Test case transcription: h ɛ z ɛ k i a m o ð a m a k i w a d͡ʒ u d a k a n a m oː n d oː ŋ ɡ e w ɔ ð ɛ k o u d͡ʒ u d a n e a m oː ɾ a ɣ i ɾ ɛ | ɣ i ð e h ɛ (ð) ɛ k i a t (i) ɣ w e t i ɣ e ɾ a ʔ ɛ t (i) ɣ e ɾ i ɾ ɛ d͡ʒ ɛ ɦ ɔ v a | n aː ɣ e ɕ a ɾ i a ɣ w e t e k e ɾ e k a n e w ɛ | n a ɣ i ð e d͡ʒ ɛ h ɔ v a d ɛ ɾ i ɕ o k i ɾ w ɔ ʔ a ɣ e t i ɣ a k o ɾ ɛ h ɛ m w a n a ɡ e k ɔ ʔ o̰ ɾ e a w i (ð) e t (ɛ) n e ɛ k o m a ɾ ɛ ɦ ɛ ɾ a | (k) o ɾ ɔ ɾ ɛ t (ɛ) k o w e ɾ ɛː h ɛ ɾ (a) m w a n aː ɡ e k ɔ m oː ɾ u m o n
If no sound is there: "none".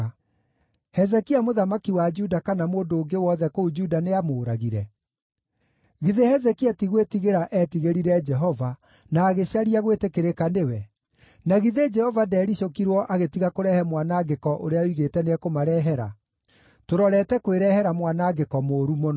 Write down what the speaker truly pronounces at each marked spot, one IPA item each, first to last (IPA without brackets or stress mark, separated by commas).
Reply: z, i, i, ɣ, ɛ, t, ɛ, a